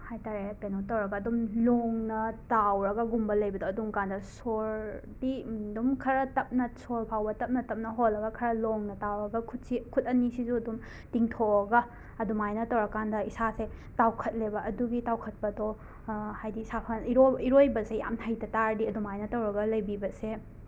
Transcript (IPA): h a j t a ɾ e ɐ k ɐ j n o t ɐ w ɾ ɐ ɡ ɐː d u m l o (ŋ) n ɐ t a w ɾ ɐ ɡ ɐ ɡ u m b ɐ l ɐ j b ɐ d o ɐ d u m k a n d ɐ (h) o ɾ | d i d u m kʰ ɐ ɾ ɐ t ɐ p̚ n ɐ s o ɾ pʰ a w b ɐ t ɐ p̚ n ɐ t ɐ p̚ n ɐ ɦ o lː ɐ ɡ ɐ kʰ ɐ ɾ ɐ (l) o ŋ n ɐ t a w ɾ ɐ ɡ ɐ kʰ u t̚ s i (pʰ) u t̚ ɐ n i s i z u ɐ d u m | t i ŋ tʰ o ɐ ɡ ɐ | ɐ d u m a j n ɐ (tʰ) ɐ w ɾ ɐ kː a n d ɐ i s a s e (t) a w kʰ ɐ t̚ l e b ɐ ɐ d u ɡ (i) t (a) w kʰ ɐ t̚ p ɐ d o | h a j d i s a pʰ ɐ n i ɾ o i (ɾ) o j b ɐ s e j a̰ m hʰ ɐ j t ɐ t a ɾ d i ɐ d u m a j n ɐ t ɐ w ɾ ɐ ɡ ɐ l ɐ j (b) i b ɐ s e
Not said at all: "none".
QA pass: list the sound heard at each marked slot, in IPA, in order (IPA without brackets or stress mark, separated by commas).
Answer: ŋ, s, l, kʰ, t, t, i, a, ɾ, b